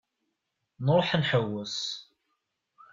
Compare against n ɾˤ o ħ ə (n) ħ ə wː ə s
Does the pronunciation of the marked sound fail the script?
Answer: no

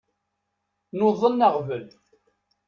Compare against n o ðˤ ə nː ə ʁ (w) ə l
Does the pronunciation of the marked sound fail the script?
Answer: yes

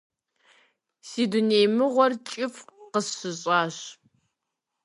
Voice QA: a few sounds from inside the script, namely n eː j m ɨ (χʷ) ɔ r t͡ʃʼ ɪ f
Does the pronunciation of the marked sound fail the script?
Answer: yes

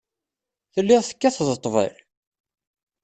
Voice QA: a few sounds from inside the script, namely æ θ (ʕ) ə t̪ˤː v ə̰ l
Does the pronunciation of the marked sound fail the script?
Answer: yes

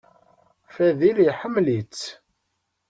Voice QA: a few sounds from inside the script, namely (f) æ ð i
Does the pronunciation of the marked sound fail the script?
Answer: no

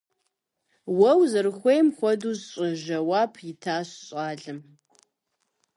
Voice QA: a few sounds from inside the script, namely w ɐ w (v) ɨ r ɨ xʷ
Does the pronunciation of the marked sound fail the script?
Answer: yes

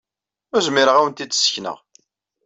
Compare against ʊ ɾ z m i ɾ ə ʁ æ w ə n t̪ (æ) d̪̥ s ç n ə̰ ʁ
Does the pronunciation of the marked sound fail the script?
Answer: yes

